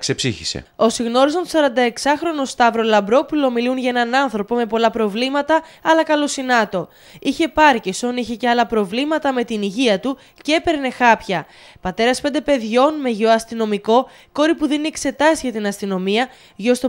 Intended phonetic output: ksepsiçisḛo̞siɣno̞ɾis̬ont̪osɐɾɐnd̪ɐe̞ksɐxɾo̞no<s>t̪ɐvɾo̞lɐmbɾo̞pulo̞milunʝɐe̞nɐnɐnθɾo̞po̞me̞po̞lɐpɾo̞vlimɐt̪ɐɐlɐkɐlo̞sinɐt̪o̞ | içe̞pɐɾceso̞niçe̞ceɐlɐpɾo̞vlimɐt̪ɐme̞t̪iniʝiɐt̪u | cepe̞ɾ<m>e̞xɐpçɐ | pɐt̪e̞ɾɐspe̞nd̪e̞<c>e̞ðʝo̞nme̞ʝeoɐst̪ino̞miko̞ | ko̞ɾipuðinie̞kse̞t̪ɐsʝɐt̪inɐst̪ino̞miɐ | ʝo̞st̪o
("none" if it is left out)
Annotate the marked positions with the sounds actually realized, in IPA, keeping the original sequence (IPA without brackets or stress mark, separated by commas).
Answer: s, n, p